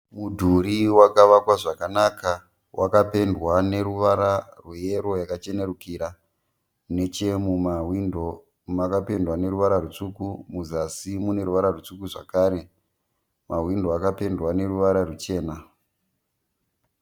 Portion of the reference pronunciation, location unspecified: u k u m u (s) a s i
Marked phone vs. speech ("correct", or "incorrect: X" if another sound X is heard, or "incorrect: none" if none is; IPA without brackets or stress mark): incorrect: z